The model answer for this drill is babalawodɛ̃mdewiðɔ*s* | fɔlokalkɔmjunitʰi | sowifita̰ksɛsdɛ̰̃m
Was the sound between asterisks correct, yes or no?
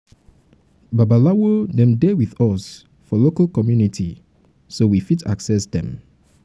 yes